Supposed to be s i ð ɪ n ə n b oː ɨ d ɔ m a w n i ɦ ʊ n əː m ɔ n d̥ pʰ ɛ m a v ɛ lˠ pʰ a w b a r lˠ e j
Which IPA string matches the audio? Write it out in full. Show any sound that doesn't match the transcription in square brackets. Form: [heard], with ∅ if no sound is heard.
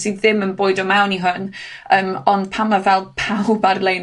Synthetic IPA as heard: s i ð ɪ [m] ə n b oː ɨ d ɔ m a w n i ɦ ʊ n əː m ɔ n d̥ pʰ [a] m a v ɛ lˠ pʰ a w b a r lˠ e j